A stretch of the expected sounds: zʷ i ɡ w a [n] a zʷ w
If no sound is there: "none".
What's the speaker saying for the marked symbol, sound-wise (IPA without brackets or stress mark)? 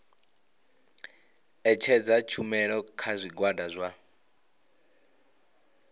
d